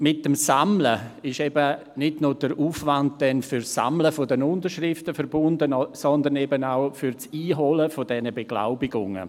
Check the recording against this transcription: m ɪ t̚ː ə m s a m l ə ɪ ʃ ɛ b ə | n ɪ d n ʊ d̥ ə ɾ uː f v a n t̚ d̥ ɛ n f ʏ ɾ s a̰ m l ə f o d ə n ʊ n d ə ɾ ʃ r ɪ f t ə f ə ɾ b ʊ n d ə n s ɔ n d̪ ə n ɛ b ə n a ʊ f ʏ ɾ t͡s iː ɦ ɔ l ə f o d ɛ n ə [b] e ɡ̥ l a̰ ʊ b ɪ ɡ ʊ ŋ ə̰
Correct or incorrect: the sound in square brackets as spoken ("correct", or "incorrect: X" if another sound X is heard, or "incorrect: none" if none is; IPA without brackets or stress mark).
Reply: correct